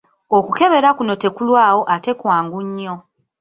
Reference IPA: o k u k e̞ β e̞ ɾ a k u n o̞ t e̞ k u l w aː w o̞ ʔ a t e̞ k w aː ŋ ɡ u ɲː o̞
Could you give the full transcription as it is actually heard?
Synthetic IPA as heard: o k u k e̞ β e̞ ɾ a k u n o̞ t e̞ k u l w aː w o̞ ʔ a t e̞ k w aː ŋ ɡ u ɲː o̞